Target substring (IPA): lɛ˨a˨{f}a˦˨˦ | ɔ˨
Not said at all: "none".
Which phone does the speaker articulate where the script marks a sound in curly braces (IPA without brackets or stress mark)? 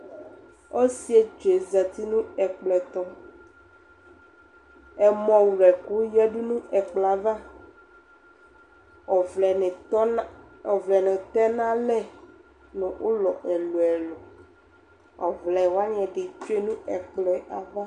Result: v